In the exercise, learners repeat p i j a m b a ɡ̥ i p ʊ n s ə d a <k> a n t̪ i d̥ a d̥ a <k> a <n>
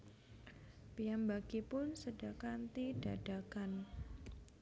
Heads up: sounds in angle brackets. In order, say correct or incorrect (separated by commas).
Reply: correct, correct, correct